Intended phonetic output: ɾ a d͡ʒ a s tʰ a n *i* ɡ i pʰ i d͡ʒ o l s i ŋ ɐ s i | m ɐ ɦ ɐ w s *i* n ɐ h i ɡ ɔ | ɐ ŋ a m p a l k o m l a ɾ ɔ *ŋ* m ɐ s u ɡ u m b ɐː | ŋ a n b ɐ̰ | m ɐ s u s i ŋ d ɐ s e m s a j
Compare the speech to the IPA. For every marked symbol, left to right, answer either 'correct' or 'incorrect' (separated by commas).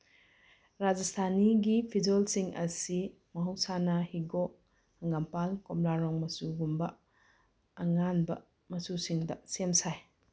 correct, incorrect, correct